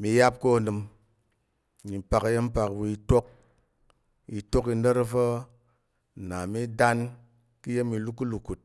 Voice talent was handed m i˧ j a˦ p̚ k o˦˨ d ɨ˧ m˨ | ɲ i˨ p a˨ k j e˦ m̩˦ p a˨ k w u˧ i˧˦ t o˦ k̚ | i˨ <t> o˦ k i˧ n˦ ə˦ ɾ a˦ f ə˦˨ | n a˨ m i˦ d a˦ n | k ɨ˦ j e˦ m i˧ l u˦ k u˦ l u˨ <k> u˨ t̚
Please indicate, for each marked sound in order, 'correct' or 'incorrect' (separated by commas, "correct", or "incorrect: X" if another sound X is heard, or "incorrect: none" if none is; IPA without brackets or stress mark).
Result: correct, correct